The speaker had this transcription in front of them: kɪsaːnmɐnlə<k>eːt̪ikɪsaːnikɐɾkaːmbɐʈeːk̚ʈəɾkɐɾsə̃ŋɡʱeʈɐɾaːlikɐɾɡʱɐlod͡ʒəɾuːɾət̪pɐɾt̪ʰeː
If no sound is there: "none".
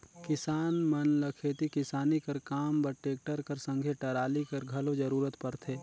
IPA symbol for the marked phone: kʰ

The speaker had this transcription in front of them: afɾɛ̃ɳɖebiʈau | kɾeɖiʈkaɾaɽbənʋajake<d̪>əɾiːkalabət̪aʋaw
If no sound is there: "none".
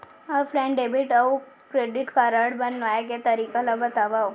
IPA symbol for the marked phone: t̪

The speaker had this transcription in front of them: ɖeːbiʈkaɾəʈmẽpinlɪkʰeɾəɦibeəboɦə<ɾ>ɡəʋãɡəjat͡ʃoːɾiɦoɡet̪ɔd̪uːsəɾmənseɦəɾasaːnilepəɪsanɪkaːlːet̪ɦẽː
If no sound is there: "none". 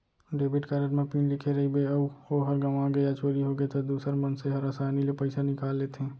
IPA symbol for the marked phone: ɾ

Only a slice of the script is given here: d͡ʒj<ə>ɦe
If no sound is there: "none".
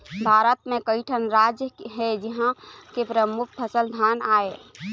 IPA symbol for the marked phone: ə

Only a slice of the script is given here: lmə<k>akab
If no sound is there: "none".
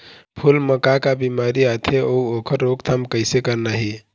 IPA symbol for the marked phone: k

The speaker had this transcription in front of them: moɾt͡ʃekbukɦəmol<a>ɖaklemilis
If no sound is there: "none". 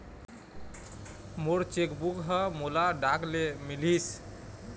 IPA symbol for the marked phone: a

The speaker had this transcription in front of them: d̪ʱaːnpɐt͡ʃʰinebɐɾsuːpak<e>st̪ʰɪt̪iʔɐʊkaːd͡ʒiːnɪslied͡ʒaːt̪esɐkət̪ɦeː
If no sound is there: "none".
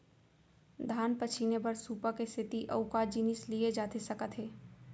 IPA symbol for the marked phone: e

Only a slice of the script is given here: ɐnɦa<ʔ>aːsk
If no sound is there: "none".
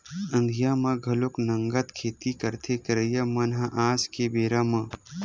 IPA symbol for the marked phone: ʔ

